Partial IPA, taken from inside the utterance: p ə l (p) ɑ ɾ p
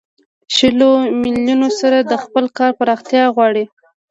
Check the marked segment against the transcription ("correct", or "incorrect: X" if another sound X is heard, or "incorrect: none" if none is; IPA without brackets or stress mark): incorrect: k